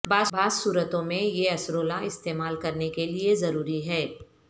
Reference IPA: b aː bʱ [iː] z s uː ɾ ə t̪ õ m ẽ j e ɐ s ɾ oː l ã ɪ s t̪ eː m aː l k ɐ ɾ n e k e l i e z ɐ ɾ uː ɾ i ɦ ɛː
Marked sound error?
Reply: yes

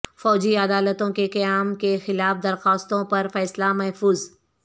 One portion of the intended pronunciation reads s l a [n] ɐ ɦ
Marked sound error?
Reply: yes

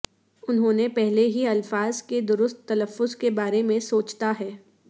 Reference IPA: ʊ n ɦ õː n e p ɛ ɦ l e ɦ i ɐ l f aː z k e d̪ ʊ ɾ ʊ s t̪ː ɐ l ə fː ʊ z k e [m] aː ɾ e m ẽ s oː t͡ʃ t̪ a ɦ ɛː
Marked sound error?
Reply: yes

